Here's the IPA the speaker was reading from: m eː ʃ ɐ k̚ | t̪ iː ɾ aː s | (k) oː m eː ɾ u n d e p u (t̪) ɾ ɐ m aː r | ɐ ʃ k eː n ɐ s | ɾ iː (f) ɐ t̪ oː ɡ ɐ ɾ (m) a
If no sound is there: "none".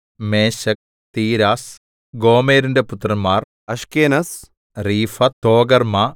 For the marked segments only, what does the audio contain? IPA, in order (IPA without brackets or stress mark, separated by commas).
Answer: ɡ, t̪, f, m